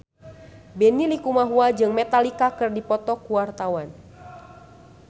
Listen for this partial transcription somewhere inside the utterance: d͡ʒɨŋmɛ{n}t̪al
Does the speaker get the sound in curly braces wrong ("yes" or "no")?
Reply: yes